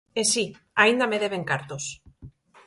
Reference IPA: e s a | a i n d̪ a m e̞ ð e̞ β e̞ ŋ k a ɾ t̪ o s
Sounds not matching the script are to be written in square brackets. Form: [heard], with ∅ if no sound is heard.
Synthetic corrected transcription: e s [i] | a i n d̪ a m e̞ ð e̞ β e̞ ŋ k a ɾ t̪ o s